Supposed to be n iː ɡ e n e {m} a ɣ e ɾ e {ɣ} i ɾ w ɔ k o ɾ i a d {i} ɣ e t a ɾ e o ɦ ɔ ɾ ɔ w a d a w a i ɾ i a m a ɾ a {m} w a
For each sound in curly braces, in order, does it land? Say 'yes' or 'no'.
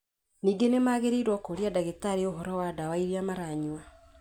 yes, no, no, no

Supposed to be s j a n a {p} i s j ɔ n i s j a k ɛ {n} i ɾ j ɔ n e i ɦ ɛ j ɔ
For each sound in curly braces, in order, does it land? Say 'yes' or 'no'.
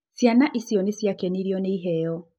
no, yes

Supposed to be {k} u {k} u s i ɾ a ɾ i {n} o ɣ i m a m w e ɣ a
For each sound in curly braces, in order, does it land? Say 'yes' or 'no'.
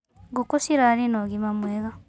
no, yes, yes

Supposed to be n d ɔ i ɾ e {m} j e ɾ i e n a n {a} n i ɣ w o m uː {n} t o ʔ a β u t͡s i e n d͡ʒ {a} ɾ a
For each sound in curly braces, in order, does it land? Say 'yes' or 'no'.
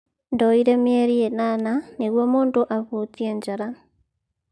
yes, yes, yes, yes

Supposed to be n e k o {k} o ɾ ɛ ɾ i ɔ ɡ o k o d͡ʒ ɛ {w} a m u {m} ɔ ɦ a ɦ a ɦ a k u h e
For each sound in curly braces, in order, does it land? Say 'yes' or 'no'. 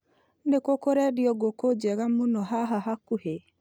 yes, no, no

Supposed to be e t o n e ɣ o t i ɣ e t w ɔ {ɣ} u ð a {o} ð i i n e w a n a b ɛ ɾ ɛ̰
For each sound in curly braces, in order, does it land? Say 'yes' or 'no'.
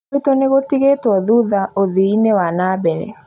no, yes

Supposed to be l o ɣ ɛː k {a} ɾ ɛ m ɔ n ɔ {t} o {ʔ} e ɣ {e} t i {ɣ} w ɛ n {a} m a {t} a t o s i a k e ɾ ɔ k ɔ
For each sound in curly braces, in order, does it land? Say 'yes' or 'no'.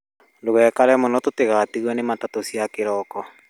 yes, yes, no, no, yes, no, yes

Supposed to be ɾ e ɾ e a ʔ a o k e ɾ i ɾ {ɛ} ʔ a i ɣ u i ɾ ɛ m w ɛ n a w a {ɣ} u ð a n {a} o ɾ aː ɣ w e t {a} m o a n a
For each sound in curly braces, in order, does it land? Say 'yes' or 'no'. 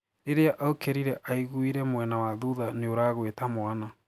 yes, no, no, yes

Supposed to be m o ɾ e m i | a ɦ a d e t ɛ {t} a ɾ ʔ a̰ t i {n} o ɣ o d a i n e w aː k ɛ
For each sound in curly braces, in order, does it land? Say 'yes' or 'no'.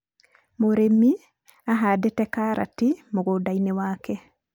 no, no

